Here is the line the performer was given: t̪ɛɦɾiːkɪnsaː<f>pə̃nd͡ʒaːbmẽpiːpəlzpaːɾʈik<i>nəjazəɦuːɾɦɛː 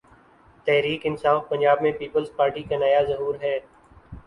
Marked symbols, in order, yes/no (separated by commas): yes, no